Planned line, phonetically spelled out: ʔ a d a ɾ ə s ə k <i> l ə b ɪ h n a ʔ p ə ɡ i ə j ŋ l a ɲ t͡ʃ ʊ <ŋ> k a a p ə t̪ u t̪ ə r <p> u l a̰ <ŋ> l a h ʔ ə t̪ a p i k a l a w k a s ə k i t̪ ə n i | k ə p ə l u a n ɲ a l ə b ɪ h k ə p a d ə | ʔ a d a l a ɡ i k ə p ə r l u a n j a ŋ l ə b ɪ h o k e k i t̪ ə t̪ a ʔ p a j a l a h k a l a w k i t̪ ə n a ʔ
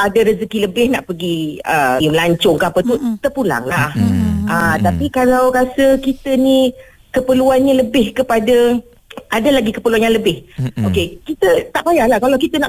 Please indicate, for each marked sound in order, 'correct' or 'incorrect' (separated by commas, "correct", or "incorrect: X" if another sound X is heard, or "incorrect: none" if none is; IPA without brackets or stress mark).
correct, correct, correct, correct